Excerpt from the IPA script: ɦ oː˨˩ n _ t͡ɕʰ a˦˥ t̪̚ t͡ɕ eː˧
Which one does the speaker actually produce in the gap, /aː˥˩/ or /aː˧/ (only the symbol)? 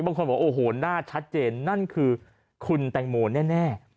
aː˥˩